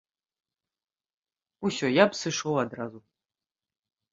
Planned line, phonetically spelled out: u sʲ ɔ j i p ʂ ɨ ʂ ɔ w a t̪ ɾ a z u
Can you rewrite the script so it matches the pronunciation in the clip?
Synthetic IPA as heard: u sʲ ɔ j a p s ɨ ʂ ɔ w a d̪ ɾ a z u